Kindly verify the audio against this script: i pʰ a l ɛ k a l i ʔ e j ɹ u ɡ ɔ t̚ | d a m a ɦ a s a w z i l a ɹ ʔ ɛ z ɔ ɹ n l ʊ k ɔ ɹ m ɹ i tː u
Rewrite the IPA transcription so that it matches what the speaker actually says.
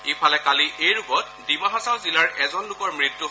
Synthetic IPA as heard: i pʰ a l ɛ k a l i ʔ e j ɹ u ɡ ɔ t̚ | d i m a ɦ a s a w z i l a ɹ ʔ ɛ z ɔ n l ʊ k ɔ ɹ m ɹ i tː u